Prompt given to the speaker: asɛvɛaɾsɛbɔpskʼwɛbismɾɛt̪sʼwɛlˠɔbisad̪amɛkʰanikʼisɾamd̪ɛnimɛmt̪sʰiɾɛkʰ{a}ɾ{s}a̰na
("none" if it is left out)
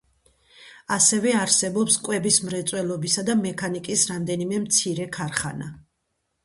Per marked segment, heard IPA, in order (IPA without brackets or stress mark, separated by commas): a, χ